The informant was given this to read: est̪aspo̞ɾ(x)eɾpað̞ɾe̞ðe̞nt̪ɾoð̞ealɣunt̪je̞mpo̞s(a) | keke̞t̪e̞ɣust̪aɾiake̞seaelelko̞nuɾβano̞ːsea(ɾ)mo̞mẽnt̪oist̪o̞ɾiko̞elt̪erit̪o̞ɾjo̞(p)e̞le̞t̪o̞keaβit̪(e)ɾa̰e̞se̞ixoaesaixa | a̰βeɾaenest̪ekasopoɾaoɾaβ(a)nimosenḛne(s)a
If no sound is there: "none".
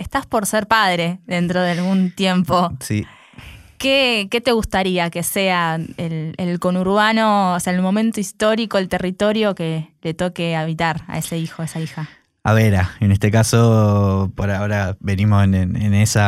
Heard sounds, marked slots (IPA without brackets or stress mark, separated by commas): s, i, l, k, a, e, s